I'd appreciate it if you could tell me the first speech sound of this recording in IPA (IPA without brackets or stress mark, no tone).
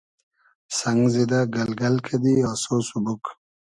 s